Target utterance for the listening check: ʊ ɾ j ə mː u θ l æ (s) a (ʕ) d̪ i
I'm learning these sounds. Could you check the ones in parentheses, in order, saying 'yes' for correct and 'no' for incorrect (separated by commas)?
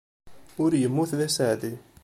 yes, yes